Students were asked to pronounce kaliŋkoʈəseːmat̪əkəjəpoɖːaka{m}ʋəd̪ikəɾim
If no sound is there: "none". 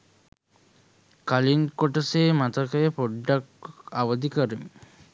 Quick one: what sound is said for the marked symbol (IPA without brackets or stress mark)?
none